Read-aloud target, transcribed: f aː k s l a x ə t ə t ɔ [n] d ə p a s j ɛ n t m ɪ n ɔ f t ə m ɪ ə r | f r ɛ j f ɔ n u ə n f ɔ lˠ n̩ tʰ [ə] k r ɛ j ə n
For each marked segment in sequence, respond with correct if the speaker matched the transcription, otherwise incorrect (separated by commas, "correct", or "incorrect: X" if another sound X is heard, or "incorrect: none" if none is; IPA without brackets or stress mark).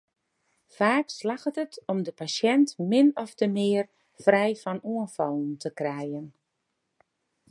incorrect: m, correct